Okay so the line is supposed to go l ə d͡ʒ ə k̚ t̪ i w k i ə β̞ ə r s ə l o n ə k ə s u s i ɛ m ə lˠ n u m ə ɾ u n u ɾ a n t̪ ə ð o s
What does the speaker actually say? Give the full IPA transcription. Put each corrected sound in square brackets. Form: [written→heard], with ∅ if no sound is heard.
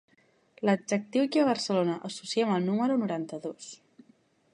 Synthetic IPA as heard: l ə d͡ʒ ə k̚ t̪ i w k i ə β̞ ə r s ə l o n ə [k→ʔ] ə s u s i ɛ m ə lˠ n u m ə ɾ u n u ɾ a n t̪ ə ð o s